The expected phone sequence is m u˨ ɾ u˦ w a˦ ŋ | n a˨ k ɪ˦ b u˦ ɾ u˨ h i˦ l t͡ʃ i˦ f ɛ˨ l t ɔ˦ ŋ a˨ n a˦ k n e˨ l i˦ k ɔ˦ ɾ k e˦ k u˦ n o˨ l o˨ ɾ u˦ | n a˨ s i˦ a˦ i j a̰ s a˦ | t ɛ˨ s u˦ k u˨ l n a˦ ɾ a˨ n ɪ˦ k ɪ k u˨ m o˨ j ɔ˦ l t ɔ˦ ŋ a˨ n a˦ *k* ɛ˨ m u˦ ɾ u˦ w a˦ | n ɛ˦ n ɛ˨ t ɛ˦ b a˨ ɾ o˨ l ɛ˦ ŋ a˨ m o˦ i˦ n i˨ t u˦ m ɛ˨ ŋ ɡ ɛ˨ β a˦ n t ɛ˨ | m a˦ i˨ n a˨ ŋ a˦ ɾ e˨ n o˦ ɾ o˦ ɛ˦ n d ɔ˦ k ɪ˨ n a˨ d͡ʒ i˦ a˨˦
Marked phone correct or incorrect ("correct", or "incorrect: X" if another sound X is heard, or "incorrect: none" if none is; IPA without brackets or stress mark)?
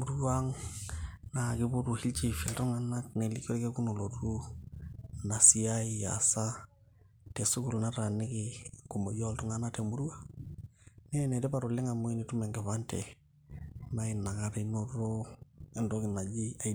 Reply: incorrect: t